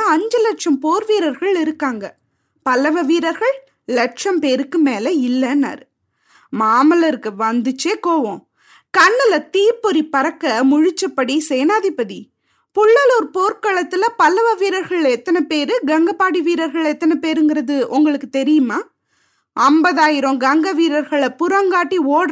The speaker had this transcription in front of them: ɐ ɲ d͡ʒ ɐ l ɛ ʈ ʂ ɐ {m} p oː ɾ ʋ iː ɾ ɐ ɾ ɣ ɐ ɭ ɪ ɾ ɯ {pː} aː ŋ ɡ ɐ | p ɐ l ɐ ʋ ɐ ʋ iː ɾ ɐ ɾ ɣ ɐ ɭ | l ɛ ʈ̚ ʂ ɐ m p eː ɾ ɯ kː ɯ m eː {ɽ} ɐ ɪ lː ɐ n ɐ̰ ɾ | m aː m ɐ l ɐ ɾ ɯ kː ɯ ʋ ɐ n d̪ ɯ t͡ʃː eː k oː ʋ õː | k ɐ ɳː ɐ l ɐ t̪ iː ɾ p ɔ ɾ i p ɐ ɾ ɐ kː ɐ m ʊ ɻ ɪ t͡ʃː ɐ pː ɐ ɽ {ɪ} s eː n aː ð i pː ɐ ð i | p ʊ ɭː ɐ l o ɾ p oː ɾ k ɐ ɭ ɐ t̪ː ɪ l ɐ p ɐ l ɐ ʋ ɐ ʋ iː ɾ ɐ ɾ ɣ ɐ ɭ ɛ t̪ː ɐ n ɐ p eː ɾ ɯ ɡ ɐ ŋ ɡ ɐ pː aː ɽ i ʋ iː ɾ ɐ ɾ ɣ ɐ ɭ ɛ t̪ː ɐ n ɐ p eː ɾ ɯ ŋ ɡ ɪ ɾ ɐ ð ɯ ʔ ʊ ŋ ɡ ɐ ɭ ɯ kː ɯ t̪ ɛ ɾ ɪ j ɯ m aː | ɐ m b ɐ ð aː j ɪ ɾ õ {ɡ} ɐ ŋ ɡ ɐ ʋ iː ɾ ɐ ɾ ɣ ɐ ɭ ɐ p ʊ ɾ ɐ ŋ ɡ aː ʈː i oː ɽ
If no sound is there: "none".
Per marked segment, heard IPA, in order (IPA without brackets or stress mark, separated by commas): m, kː, l, i, ɡ